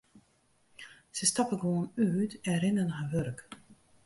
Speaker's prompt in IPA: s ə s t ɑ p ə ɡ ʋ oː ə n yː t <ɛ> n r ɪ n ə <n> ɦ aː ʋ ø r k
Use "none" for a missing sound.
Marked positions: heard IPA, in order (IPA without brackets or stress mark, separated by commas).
ɛ, n